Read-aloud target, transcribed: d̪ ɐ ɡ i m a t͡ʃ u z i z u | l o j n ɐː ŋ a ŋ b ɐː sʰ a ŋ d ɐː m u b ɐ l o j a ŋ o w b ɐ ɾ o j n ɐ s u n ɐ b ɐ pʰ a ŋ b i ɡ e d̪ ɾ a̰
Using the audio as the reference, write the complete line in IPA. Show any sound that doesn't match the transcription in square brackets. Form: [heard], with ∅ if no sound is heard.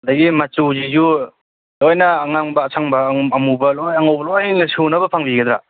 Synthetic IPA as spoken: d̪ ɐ ɡ i m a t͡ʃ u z i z u | l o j n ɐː ŋ a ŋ b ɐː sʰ a ŋ [b] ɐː m u b ɐ l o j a ŋ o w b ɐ [l] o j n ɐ s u n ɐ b ɐ pʰ a ŋ b i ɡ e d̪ ɾ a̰